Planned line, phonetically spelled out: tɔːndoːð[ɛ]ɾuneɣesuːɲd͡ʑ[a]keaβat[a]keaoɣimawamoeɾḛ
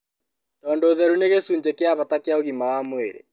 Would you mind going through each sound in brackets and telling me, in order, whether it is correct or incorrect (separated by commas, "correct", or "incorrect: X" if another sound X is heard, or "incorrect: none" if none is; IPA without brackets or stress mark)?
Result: correct, incorrect: e, correct